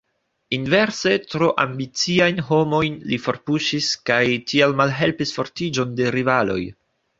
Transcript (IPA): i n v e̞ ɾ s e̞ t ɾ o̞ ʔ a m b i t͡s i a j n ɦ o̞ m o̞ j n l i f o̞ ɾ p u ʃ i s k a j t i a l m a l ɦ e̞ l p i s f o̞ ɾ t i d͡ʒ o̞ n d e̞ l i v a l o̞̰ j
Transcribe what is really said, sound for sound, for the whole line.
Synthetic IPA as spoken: i n v e̞ ɾ s e̞ t ɾ o̞ ʔ a m b i t͡s i a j n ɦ o̞ m o̞ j n l i f o̞ ɾ p u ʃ i s k a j t i a l m a l ɦ e̞ l p i s f o̞ ɾ t i d͡ʒ o̞ n d e̞ ɾ i v a l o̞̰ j